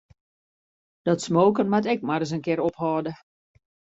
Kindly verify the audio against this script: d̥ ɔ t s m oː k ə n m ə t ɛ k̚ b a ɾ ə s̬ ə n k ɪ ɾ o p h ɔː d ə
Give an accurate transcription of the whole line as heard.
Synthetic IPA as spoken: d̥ ɔ t s m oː k ə n m a t ɛ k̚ m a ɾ ə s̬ ə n k ɪ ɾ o p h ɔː d ə